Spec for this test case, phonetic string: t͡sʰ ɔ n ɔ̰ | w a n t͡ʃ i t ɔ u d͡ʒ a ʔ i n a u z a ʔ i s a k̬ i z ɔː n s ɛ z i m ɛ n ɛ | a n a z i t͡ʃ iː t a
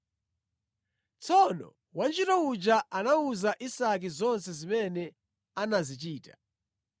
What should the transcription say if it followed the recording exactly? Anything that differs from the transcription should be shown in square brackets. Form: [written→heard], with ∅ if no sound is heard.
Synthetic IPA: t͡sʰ ɔ n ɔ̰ | w a n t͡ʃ i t ɔ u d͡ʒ a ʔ [i→a] n a u z a ʔ i s a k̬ i z [ɔː→ɔ] n s ɛ z i m ɛ n ɛ | a n a z i t͡ʃ iː t a